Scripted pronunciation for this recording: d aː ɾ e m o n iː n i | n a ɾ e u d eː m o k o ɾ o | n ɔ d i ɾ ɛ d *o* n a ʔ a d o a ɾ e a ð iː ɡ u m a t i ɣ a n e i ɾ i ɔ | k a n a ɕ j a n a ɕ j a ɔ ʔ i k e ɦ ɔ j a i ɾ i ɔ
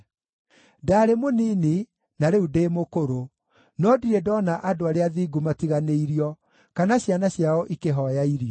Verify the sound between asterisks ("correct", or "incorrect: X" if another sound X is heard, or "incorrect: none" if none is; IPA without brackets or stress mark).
incorrect: ɔ